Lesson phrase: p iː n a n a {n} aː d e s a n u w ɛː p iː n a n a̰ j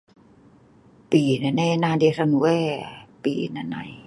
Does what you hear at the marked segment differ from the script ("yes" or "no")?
no